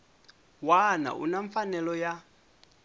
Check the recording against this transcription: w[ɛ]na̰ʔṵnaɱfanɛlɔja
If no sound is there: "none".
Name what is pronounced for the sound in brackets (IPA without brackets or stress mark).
a